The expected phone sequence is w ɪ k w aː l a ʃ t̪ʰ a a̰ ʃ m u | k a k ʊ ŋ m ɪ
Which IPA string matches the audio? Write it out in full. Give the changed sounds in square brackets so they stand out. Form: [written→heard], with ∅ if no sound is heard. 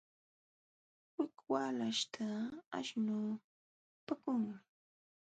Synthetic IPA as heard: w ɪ k w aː l a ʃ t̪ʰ a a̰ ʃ [m→n] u | [k→p] a k ʊ ŋ m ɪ